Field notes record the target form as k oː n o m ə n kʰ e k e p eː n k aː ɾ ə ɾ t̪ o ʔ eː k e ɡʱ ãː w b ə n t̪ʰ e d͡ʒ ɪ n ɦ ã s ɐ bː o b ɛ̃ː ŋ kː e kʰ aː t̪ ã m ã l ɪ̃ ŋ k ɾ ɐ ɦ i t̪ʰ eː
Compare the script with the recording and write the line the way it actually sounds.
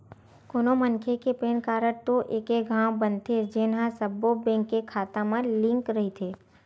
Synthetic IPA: k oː n o m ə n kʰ e k e p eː n k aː ɾ ə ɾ t̪ o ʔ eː k e ɡʱ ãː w b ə n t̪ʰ e d͡ʒ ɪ n ɦ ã s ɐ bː o b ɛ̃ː ŋ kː e kʰ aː t̪ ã m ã l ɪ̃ ŋ k ɾ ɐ ɦ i t̪ʰ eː